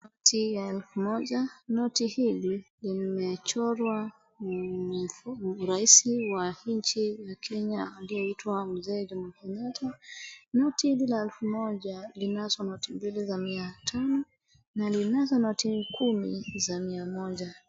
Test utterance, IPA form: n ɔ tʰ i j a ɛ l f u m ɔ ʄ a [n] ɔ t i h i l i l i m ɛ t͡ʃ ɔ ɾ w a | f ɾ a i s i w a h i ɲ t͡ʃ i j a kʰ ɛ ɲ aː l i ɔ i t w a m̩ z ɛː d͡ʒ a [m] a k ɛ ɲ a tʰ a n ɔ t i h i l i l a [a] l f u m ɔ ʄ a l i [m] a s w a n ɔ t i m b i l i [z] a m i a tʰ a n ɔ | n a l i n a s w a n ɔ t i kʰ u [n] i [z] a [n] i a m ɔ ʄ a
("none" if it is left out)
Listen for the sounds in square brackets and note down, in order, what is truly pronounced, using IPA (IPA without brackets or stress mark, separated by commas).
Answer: n, m, ɛ, n, z, m, z, m